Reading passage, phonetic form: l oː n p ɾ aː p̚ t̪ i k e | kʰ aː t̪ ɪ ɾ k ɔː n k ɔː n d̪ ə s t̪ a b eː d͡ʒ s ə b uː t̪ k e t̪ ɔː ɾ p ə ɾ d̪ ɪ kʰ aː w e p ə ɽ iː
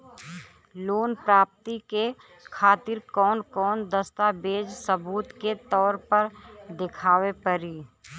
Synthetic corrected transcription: l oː n p ɾ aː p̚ t̪ i k e | kʰ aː t̪ ɪ ɾ k ɔː n k ɔː n d̪ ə s t̪ a b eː d͡ʒ s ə b uː t̪ k e t̪ ɔː ɾ p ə ɾ d̪ ɪ kʰ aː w e p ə ɾ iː